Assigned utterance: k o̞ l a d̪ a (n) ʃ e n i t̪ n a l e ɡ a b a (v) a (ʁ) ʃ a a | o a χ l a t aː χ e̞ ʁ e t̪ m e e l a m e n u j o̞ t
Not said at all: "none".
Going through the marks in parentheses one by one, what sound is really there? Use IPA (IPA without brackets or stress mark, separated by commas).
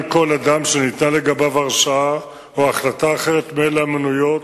m, v, ʁ